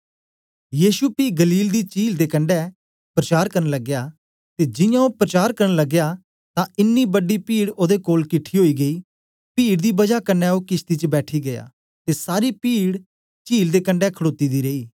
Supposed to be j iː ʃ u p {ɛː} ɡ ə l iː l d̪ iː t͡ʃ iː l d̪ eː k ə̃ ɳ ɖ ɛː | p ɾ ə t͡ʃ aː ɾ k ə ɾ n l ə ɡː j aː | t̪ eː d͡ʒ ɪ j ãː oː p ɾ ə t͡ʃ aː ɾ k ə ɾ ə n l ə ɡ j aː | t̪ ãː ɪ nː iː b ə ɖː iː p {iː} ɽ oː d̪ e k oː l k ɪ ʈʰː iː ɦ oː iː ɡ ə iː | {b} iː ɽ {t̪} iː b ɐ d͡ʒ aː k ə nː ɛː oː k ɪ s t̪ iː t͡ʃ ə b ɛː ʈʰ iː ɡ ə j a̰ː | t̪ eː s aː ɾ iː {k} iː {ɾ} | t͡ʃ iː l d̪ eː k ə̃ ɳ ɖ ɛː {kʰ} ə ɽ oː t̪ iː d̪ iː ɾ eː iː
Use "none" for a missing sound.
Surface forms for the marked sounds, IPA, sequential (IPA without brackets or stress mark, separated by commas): iː, iː, p, d̪, p, ɽ, kʰ